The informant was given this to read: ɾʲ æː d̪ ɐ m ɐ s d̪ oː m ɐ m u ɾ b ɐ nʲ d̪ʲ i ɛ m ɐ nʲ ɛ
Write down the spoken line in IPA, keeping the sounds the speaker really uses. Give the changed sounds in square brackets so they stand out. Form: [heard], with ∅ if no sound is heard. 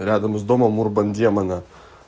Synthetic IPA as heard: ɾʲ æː d̪ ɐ m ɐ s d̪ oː m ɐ m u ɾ b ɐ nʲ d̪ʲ i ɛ m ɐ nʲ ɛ